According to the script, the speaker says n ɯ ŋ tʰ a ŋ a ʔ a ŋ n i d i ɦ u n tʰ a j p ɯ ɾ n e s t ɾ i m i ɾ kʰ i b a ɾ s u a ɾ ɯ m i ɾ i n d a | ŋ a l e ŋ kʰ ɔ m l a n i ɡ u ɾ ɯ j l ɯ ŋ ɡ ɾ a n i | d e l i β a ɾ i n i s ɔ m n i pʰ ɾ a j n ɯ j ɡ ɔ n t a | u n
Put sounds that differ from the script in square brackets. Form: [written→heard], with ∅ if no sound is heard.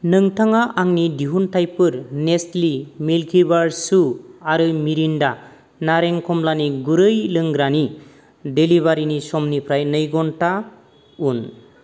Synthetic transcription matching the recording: n ɯ ŋ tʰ a ŋ a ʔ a ŋ n i d i ɦ u n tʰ a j p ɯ ɾ n e s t [ɾ→l] i m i [ɾ→l] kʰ i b a ɾ s u a ɾ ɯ m i ɾ i n d a | [ŋ→n] a [l→ɾ] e ŋ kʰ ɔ m l a n i ɡ u ɾ ɯ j l ɯ ŋ ɡ ɾ a n i | d e l i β a ɾ i n i s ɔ m n i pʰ ɾ a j n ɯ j ɡ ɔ n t a | u n